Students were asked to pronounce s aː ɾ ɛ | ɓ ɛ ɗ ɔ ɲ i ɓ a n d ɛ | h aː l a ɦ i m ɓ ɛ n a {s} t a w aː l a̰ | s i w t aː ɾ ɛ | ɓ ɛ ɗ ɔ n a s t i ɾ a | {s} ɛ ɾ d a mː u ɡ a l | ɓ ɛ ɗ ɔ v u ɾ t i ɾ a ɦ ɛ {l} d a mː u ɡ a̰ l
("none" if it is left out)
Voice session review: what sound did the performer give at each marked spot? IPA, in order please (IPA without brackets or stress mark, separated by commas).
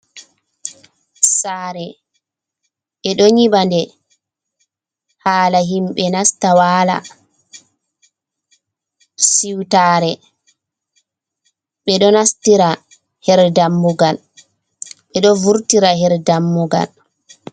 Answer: s, h, ɾ